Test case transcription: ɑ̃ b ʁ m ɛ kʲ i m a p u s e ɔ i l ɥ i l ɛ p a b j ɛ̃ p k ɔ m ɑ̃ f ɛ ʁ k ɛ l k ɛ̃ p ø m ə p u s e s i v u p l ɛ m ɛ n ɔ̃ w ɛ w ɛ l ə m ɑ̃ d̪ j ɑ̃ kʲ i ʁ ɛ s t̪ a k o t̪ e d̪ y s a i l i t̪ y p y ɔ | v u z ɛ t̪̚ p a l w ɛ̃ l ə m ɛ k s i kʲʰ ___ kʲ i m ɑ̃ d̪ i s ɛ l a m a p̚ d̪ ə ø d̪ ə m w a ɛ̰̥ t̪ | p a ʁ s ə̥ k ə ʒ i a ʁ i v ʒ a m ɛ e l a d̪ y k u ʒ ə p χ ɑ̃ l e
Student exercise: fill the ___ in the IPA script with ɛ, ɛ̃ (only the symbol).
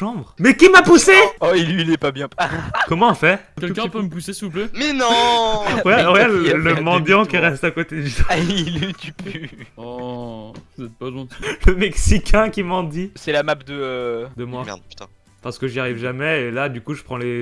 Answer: ɛ̃